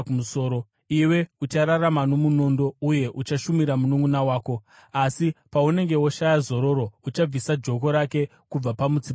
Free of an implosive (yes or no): yes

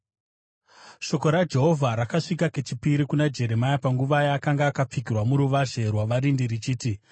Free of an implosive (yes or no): yes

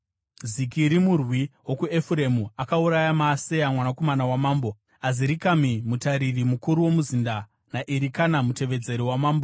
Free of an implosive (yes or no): yes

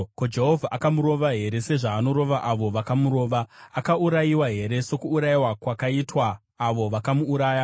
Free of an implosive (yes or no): yes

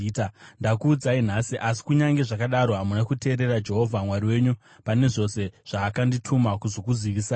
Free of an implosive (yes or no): no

